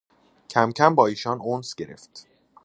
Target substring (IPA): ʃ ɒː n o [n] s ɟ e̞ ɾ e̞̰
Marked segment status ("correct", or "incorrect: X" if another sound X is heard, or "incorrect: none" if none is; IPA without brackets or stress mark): correct